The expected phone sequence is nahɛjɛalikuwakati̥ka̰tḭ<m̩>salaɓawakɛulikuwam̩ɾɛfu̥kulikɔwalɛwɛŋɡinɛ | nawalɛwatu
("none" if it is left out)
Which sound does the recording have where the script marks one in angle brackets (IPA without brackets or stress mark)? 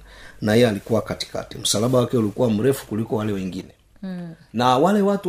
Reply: m̩